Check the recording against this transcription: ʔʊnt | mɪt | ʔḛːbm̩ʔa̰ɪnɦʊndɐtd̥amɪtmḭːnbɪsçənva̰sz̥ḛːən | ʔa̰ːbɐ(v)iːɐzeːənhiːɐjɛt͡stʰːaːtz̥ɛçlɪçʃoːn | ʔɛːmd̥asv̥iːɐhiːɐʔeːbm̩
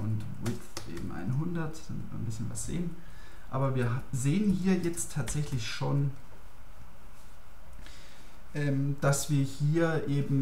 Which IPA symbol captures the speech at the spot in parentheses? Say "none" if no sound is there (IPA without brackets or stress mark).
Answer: v